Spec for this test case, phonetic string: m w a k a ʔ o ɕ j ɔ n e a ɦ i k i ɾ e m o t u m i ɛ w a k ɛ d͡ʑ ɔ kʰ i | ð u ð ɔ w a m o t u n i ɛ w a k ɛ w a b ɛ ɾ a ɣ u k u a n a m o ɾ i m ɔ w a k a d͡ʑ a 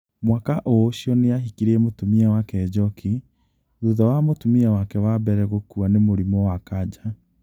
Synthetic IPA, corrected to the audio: m w a k a ʔ o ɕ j ɔ n e a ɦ i k i ɾ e m o t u m i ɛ w a k ɛ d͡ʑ ɔ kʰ i | ð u ð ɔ w a m o t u m i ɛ w a k ɛ w a b ɛ ɾ ɛ ɣ o k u a n e m o ɾ i m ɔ w a k a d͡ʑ a